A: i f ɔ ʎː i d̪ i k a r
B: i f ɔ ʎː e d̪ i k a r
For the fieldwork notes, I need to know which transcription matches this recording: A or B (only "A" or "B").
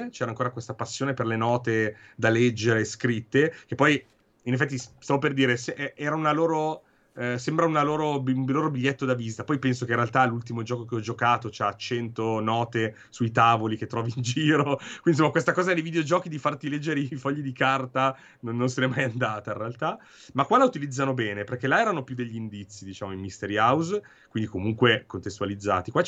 A